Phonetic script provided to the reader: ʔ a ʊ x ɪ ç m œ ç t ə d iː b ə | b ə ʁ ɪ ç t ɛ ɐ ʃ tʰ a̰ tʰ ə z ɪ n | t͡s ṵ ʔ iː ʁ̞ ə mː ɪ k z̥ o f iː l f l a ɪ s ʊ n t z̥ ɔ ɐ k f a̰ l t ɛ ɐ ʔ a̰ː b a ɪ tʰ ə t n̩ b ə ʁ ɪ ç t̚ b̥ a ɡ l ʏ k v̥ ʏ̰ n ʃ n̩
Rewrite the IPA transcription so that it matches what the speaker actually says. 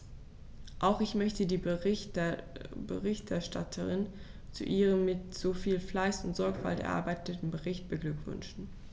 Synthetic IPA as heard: ʔ a ʊ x ɪ ç m œ ç t ə d iː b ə | b ə ʁ ɪ ç t ɛ ɐ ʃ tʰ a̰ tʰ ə ʁ ɪ n | t͡s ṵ ʔ iː ʁ̞ ə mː ɪ t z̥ o f iː l f l a ɪ s ʊ n t z̥ ɔ ɐ k f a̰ l t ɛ ɐ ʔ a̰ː b a ɪ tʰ ə t n̩ b ə ʁ ɪ ç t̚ b̥ ə ɡ l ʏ k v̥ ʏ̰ n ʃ n̩